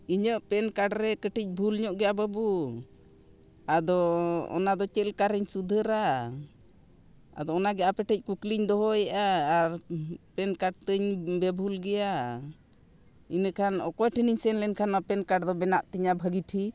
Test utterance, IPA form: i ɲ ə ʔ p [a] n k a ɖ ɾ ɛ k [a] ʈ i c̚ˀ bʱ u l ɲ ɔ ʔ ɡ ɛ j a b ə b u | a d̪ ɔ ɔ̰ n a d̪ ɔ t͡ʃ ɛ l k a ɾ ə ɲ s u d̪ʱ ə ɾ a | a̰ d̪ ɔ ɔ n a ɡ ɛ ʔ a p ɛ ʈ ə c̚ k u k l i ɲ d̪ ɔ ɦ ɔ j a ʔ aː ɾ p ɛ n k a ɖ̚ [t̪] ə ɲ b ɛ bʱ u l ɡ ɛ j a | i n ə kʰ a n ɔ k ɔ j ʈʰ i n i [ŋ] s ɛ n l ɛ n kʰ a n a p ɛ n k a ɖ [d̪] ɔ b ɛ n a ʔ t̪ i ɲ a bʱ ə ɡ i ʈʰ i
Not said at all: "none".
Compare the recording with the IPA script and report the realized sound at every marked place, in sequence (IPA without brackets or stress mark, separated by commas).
ɛ, ə, t̪, ɲ, d̪